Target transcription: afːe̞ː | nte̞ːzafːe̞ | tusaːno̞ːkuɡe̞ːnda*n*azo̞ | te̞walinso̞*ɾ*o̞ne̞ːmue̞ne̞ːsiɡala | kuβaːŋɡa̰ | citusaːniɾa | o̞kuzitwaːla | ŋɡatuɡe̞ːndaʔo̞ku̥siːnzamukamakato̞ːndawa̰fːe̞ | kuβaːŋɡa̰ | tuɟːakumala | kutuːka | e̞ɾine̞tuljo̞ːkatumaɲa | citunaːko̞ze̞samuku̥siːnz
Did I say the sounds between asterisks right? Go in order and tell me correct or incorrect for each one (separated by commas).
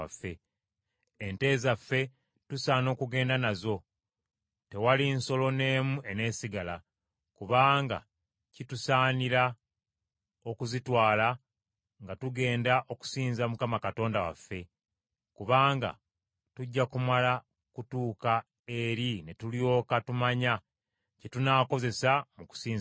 correct, incorrect